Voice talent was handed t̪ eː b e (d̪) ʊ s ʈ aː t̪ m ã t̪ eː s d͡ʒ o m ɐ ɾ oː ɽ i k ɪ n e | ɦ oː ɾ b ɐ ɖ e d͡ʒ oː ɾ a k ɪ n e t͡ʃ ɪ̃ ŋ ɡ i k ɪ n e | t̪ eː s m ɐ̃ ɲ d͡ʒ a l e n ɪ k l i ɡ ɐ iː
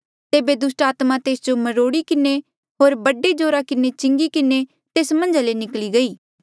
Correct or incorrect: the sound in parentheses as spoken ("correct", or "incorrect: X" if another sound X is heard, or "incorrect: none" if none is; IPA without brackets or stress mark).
correct